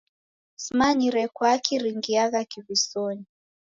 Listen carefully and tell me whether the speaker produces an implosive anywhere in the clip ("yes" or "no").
no